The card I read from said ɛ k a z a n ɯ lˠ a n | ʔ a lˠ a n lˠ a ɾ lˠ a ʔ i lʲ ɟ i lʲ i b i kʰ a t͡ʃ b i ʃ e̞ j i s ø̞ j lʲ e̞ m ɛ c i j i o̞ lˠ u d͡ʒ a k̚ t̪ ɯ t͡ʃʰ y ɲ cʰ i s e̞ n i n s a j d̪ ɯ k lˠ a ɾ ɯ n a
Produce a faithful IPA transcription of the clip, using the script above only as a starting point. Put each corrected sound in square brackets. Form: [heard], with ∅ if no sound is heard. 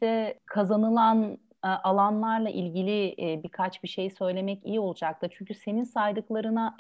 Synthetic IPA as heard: ɛ [kʰ] a z a n ɯ lˠ a n | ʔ a lˠ a n lˠ a ɾ lˠ a ʔ i lʲ ɟ i lʲ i b i kʰ a t͡ʃ b i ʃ e̞ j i s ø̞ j lʲ e̞ m ɛ c i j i o̞ lˠ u d͡ʒ a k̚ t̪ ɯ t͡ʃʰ y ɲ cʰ [y] s e̞ n i n s a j d̪ ɯ k lˠ a ɾ ɯ n a